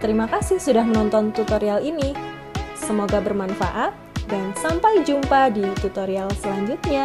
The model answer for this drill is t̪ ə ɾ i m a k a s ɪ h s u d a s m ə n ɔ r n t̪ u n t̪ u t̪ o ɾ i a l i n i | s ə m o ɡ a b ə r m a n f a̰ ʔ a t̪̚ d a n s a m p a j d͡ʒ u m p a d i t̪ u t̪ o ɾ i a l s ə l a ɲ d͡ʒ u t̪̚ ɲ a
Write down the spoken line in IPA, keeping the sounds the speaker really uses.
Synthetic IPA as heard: t̪ ə ɾ i m a k a s ɪ h s u d a h m ə n ɔ n t̪ ɔ n t̪ u t̪ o ɾ i a l i n i | s ə m o ɡ a b ə r m a n f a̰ ʔ a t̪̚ d a n s a m p a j d͡ʒ u m p a d i t̪ u t̪ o ɾ i a l s ə l a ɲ d͡ʒ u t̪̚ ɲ a